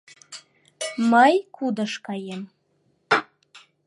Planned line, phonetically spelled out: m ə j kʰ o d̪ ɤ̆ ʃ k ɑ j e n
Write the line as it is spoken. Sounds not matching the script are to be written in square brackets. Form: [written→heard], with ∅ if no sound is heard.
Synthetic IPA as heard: m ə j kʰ [o→u] d̪ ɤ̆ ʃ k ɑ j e [n→m]